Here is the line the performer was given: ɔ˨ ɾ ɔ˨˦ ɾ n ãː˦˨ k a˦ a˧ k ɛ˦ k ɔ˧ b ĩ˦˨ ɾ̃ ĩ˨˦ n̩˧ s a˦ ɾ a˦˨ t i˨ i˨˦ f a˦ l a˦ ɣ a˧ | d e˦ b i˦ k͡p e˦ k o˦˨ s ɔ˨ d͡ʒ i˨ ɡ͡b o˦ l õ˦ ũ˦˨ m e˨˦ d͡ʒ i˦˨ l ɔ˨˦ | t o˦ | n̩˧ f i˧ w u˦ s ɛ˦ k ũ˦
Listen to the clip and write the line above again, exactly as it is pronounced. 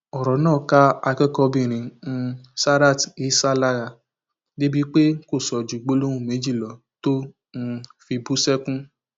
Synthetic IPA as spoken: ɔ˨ ɾ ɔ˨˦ n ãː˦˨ k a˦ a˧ k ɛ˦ k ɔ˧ b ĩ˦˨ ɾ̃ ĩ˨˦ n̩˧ s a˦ ɾ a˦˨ t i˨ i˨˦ s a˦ l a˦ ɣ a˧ | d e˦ b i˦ k͡p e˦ k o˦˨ s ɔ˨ d͡ʒ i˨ ɡ͡b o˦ l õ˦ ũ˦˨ m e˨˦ d͡ʒ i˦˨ l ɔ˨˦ | t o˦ | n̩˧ f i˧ b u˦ s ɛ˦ k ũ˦

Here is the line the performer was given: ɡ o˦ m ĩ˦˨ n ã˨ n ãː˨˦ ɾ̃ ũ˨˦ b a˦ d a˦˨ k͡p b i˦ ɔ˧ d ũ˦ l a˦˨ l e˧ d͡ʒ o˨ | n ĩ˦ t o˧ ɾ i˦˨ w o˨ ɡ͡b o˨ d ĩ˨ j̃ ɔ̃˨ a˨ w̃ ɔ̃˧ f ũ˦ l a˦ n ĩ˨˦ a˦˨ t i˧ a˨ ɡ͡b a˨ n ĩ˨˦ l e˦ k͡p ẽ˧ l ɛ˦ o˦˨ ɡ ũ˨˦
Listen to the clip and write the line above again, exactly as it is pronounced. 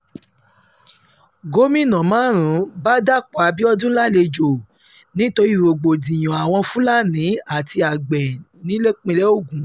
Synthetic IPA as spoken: ɡ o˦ m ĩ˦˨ n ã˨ m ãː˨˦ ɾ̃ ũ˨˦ b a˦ d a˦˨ k͡p b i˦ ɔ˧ d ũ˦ l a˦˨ l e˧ d͡ʒ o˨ | n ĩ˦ t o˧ ɾ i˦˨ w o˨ ɡ͡b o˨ d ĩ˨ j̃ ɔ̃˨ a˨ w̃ ɔ̃˧ f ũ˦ l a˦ n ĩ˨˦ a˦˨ t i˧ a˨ ɡ͡b ɛ˨ n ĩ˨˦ l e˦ k͡p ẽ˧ l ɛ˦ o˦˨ ɡ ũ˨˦

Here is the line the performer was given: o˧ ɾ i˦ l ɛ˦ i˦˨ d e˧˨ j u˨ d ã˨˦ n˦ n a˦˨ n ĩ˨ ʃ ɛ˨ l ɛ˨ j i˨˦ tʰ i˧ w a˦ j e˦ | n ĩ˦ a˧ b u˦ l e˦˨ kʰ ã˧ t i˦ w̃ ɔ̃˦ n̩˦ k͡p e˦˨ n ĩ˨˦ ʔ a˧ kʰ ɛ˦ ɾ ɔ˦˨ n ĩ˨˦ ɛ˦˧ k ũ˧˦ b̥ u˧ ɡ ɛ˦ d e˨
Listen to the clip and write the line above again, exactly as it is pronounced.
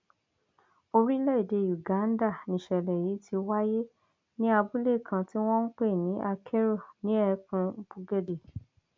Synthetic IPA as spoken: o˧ ɾ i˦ l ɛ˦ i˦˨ d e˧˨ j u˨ ɡ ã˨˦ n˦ d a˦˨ n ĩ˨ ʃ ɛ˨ l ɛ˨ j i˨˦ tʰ i˧ w a˦ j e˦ | n ĩ˦ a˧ b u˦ l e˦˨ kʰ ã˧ t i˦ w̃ ɔ̃˦ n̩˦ k͡p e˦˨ n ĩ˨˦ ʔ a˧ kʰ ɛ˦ ɾ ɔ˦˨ n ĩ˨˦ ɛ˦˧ k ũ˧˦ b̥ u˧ ɡ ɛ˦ d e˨

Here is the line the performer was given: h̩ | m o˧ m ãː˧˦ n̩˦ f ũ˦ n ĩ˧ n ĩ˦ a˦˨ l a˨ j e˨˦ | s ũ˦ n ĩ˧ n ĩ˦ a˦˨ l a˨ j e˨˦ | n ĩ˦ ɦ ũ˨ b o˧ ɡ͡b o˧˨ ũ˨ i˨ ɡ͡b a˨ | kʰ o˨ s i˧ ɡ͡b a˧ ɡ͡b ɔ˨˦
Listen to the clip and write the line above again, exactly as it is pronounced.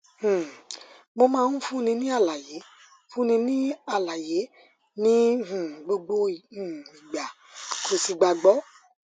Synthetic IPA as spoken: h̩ | m o˧ m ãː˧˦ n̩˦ f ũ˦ n ĩ˧ n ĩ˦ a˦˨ l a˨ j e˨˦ | f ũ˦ n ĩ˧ n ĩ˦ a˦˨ l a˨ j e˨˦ | n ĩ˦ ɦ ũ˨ ɡ͡b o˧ ɡ͡b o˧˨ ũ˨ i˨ ɡ͡b a˨ | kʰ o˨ s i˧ ɡ͡b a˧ ɡ͡b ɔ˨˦

